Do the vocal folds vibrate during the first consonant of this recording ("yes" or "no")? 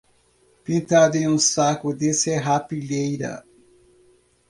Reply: no